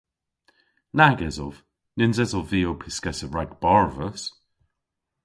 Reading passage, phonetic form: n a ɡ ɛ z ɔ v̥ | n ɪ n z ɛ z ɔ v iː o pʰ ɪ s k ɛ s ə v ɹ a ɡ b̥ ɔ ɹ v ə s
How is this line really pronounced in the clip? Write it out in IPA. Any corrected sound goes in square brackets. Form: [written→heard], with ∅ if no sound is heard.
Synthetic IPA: n a ɡ ɛ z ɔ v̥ | n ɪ n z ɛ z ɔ v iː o pʰ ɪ s k ɛ s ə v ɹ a ɡ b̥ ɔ ɹ v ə s